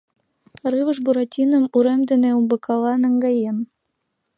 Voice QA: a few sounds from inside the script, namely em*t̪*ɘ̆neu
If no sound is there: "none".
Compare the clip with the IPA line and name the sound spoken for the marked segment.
d̪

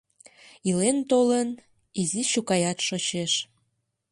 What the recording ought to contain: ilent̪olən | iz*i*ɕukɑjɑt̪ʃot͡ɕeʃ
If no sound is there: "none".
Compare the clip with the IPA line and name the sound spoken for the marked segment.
i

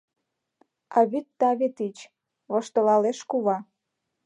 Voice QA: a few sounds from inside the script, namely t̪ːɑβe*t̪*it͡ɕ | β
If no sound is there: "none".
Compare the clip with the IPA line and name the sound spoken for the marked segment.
t̪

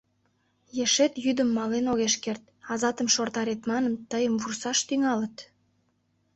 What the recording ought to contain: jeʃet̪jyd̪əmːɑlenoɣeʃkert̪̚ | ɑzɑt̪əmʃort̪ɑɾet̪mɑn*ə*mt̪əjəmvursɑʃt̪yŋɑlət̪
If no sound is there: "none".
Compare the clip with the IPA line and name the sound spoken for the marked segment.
ə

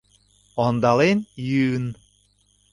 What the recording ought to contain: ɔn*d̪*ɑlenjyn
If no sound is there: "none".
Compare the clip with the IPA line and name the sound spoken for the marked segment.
d̪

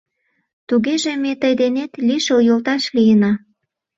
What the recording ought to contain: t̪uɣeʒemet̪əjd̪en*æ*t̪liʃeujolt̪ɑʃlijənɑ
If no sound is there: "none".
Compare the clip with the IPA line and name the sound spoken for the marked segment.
e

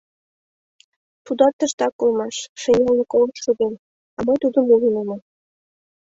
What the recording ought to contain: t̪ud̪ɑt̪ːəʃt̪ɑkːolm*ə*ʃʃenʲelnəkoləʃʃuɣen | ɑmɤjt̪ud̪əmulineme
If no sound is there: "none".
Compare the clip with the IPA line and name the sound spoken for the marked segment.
ɑ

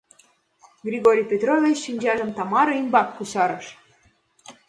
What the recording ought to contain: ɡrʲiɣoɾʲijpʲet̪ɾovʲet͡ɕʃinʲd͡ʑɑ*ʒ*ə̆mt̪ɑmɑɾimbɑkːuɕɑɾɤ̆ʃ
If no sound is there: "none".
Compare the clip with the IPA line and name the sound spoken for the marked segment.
ʒ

